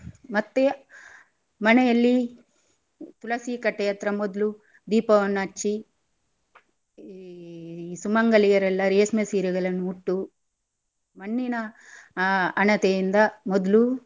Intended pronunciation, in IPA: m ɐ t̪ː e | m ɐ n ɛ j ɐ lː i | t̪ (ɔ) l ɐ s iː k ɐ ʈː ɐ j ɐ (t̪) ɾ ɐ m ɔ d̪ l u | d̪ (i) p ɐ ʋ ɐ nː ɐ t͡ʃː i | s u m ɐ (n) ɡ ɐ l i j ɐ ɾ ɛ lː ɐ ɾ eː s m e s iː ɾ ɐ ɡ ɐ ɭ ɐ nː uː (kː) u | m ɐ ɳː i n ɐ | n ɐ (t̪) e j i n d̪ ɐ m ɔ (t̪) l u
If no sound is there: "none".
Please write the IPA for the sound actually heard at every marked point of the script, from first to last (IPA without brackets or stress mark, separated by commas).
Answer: u, t̪, iː, ŋ, ʈː, t̪, d̪